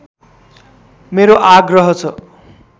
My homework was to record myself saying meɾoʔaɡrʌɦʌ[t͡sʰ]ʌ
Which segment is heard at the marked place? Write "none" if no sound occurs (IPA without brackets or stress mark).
t͡sʰ